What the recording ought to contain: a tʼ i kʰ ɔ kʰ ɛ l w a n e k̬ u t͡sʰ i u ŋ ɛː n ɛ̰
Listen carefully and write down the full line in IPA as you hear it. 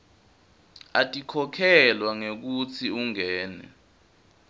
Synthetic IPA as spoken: a tʼ i kʰ ɔ kʰ ɛ l w a ŋ e k̬ u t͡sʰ i u ŋ ɛː n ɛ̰